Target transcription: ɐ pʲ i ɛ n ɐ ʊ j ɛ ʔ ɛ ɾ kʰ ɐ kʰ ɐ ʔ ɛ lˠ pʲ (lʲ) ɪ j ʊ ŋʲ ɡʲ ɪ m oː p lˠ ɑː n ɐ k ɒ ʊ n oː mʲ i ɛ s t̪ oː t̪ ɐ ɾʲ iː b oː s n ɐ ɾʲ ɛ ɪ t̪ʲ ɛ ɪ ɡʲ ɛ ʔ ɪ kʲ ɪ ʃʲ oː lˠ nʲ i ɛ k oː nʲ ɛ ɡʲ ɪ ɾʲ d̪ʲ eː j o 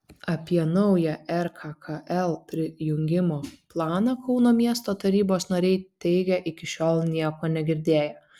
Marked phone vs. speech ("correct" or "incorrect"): incorrect